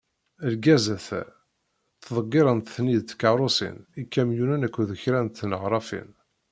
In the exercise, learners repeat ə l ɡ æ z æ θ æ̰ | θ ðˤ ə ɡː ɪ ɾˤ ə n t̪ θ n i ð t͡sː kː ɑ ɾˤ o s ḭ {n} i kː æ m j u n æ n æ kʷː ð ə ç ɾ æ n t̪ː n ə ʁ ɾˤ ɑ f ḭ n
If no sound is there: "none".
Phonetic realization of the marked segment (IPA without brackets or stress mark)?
n